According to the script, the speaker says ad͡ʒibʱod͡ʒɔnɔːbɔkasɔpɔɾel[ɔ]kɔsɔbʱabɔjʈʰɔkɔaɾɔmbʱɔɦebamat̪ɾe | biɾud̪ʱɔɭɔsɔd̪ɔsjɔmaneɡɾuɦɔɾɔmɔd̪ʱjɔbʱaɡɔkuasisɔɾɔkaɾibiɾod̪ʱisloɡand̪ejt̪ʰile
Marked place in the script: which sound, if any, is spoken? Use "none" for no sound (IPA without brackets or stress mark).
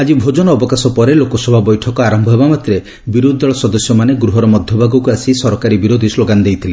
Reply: o